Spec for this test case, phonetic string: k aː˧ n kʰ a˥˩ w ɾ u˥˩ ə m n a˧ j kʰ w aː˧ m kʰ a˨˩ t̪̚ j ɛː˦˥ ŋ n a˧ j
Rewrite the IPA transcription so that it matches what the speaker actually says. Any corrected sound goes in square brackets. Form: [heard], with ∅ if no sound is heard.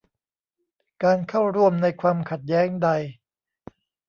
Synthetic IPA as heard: k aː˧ n kʰ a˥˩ w ɾ u˥˩ ə m n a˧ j kʰ w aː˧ m kʰ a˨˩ t̪̚ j ɛː˦˥ ŋ [d] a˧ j